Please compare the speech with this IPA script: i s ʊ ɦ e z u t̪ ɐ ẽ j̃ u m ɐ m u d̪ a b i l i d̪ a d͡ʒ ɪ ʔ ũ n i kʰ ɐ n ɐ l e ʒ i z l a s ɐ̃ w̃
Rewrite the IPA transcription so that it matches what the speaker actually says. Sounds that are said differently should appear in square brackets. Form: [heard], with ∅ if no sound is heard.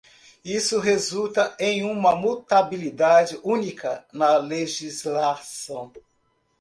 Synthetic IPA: i s ʊ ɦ e z u t̪ ɐ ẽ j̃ [ũ] m ɐ m u [t̪] a b i l i d̪ a d͡ʒ ɪ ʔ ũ n i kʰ ɐ n ɐ l e ʒ i z l a s ɐ̃ w̃